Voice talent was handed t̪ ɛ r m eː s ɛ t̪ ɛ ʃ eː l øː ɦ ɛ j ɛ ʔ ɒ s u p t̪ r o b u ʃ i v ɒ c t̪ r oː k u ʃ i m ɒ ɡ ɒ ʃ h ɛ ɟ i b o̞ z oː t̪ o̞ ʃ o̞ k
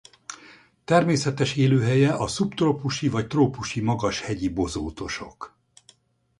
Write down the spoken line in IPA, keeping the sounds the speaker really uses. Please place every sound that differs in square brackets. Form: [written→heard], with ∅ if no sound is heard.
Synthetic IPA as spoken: t̪ ɛ r m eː s ɛ t̪ ɛ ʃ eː l øː ɦ ɛ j ɛ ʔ ɒ s u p t̪ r o [b→p] u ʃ i v ɒ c t̪ r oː [k→p] u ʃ i m ɒ ɡ ɒ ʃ h ɛ ɟ i b o̞ z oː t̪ o̞ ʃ o̞ k